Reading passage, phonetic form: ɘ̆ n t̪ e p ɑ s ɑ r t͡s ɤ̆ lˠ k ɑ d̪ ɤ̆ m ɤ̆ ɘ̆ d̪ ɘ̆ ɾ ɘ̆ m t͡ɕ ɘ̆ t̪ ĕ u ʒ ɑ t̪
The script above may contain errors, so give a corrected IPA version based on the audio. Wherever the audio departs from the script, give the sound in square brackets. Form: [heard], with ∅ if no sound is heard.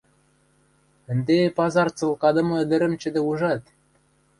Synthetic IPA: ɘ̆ n [d̪] e p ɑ [z] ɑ r t͡s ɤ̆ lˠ k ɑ d̪ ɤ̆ m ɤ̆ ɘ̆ d̪ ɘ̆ ɾ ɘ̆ m t͡ɕ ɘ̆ [d̪] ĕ u ʒ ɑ t̪